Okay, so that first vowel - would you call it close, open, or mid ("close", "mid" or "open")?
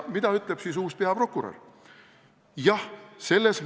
close